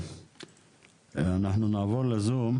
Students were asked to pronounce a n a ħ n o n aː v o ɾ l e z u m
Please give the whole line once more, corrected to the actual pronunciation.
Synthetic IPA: a n a ħ n u n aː v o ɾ l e z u m